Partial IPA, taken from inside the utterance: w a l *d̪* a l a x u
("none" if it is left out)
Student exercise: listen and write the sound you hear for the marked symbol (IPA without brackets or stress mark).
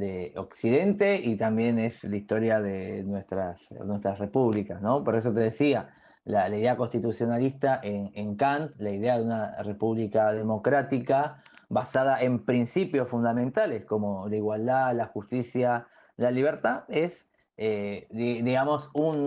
d̪